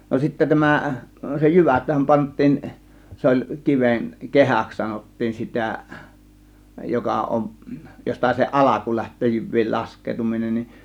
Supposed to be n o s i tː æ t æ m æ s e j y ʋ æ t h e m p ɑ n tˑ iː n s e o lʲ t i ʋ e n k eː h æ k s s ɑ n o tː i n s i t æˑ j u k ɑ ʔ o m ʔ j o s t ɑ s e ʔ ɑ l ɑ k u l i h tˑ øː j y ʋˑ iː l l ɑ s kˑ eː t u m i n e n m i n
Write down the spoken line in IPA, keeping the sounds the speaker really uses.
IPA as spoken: n o s i tː æ t æ m æ s e j y ʋ æ t h æ m p ɑ n tˑ iː n s e o lʲ k i ʋ e n k e h æ k s s ɑ n o tː iː n s i t æˑ j o k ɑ ʔ o m ʔ j o s t ɑ s e ʔ ɑ l ɑ k u l æ h tˑ øː j y ʋˑ iː l l ɑ s kˑ eː t u m i n e n n i n